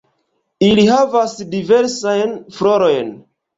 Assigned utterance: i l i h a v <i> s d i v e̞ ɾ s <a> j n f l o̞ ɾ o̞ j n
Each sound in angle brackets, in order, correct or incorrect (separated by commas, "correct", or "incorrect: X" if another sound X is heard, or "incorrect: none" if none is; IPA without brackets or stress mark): incorrect: a, correct